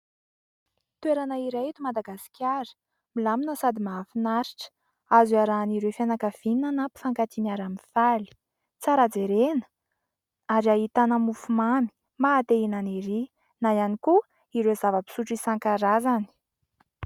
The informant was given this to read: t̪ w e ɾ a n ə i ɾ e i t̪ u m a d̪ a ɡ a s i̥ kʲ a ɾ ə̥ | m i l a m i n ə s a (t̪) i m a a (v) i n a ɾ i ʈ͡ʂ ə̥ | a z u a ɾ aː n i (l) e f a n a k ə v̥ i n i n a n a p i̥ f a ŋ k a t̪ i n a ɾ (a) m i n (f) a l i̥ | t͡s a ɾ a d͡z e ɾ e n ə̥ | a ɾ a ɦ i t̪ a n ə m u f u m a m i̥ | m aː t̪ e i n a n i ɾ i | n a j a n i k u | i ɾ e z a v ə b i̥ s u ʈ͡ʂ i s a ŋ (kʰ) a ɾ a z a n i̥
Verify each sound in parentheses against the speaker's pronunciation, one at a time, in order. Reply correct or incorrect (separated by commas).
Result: incorrect, incorrect, incorrect, correct, correct, incorrect